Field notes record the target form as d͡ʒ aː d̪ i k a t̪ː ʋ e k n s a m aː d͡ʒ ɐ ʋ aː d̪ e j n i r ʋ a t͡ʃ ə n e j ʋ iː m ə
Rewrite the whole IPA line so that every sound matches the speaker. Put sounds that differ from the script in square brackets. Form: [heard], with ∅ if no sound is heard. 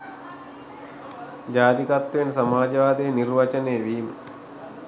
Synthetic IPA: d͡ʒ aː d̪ i k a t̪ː ʋ e [∅] n s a m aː d͡ʒ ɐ ʋ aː d̪ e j n i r ʋ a t͡ʃ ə n e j ʋ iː m ə